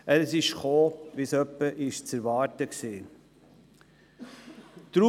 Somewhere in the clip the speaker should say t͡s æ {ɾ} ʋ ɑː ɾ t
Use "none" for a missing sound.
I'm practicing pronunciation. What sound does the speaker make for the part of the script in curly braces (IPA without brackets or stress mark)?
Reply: ɾ